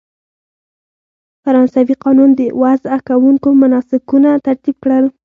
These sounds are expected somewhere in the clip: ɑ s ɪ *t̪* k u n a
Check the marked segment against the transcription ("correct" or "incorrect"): incorrect